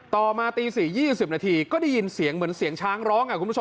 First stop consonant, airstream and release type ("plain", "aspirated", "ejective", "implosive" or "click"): plain